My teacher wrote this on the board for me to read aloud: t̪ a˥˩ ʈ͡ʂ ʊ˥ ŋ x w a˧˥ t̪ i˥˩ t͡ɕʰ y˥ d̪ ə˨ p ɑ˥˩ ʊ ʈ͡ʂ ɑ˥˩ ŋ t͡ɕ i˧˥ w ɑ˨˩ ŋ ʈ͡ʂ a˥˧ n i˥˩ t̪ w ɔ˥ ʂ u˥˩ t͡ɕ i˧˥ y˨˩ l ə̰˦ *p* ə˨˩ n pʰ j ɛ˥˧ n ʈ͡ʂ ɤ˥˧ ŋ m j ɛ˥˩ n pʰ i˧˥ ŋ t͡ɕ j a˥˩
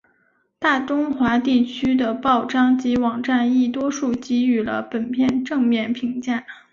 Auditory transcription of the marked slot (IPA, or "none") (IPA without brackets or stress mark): p